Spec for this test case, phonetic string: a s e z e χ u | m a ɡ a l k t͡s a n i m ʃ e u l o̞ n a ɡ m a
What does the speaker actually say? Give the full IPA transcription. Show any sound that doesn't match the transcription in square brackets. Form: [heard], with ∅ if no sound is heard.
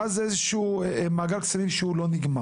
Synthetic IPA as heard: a [z] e z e [ʃ] u | m a ɡ a l k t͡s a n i m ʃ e u l o̞ n [i] ɡ m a